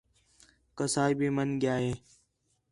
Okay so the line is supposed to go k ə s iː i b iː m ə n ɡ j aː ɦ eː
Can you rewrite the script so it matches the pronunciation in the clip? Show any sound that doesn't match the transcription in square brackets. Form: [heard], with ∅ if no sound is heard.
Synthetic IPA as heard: k ə s [aː] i b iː m ə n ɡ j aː ɦ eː